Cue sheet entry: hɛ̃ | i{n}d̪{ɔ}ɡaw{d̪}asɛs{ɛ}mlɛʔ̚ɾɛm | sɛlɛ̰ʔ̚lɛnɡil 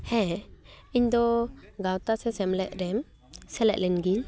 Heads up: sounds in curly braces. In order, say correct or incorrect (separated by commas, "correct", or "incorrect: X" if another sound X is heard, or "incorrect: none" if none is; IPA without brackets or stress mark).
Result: incorrect: ɲ, correct, incorrect: t̪, correct